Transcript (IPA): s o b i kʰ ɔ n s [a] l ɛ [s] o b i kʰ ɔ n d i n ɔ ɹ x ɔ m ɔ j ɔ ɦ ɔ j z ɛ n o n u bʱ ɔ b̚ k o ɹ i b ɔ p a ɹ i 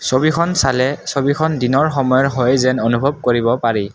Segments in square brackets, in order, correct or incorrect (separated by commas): correct, correct